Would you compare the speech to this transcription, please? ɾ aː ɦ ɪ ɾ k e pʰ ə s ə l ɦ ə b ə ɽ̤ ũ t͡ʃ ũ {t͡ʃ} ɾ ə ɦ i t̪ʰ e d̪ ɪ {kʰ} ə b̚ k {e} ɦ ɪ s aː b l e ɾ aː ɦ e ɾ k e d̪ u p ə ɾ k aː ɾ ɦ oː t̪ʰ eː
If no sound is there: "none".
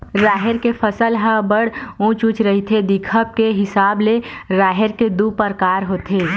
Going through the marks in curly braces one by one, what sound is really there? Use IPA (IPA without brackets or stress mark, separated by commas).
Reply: t͡ʃ, kʰ, e